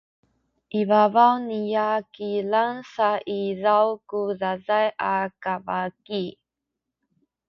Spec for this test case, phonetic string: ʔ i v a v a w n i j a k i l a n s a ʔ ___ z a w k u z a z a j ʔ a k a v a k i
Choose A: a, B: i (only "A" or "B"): B